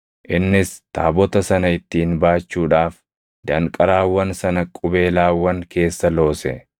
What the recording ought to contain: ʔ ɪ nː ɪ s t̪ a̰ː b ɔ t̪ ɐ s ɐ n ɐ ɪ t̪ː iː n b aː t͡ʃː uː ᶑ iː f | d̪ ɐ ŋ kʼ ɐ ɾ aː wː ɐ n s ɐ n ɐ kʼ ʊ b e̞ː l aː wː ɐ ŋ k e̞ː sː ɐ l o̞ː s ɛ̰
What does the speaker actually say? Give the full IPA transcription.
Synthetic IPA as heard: ʔ ɪ nː ɪ s t̪ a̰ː b ɔ t̪ ɐ s ɐ n ɐ ɪ t̪ː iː n b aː t͡ʃː uː ᶑ aː f | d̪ ɐ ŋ kʼ ɐ ɾ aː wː ɐ n s ɐ n ɐ kʼ ʊ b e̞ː l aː wː ɐ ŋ k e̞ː sː ɐ l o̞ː s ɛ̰